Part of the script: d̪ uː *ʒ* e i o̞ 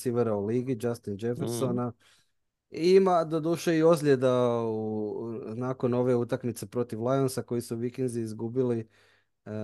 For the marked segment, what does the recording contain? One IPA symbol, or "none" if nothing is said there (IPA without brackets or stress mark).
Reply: ʃ